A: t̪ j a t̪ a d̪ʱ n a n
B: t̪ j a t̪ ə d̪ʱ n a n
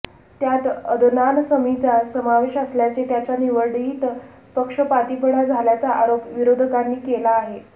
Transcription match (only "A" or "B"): B